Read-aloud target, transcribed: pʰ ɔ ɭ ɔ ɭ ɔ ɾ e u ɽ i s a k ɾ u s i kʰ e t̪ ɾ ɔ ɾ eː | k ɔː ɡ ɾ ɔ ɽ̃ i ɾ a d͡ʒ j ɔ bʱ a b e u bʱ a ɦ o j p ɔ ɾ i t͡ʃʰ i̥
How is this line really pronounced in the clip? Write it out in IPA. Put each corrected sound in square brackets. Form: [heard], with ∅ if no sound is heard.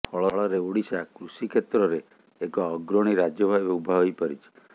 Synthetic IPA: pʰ ɔ ɭ ɔ ɭ ɔ ɾ e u ɽ i s a k ɾ u s i kʰ e t̪ ɾ ɔ ɾ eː | k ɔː ɡ ɾ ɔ ɽ̃ i ɾ a d͡ʒ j ɔ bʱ a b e u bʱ a ɦ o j p ɔ ɾ i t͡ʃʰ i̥